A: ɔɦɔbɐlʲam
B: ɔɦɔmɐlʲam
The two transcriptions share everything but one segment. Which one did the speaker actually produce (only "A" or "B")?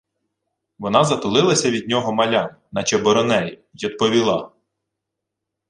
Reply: B